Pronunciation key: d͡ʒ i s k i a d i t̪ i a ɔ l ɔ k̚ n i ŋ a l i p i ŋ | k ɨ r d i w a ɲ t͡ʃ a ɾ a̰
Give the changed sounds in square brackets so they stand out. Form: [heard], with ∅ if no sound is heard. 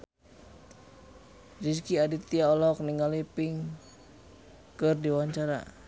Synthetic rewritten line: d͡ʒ i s k i a d i t̪ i a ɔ l ɔ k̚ n i ŋ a l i p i ŋ | k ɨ r d i w a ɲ t͡ʃ a ɾ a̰